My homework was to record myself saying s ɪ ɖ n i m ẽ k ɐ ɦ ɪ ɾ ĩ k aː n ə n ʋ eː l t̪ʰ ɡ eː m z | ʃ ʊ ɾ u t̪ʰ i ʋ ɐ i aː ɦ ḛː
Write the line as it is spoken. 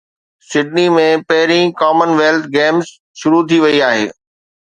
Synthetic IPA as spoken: s ɪ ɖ n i m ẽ p ɐ ɦ ɪ ɾ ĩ k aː m ə n ʋ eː l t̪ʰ ɡ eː m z | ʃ ʊ ɾ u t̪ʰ i ʋ ɐ i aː ɦ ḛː